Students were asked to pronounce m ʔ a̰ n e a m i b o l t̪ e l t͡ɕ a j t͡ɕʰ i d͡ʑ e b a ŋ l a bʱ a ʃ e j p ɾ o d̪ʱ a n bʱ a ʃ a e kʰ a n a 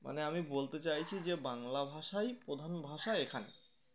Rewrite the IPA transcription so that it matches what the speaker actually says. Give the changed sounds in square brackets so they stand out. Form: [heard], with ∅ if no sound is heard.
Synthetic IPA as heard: m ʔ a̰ n e a m i b o l t̪ e [∅] t͡ɕ a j t͡ɕʰ i d͡ʑ e b a ŋ l a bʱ a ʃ [a] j p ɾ o d̪ʱ a n bʱ a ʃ a e kʰ a n [e]